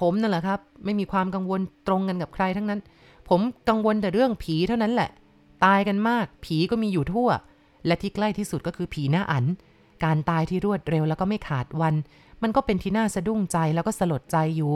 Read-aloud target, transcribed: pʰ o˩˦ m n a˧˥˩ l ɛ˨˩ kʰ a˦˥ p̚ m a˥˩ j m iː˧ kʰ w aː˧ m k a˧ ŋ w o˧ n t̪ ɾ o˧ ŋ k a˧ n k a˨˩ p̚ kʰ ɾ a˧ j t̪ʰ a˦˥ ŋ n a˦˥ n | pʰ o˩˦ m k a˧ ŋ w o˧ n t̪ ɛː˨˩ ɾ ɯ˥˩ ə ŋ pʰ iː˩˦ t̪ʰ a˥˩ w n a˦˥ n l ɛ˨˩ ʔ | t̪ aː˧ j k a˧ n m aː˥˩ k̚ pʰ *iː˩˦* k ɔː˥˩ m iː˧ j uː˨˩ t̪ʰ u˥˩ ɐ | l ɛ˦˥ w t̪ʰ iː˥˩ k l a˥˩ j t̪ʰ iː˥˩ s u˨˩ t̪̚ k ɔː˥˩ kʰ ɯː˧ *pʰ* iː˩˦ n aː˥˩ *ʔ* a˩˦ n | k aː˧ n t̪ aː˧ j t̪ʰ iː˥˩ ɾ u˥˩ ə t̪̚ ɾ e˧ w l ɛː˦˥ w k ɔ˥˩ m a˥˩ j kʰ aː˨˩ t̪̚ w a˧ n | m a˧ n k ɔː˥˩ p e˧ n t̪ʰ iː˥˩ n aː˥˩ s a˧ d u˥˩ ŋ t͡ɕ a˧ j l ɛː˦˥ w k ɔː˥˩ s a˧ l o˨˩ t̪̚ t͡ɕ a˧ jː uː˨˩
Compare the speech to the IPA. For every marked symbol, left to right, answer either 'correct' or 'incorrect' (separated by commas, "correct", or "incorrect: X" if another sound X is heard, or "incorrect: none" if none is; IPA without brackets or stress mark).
correct, correct, correct